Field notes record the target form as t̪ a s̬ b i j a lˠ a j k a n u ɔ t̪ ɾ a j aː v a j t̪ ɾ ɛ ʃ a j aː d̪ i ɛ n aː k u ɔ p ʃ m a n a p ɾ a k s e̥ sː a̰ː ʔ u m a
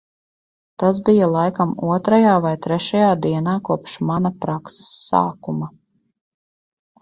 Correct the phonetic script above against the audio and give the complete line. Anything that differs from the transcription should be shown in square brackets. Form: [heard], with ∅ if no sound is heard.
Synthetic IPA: t̪ a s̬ b i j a lˠ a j k a [m] u ɔ t̪ ɾ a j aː v a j t̪ ɾ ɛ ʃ a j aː d̪ i ɛ n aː k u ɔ p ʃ m a n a p ɾ a k s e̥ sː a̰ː [k] u m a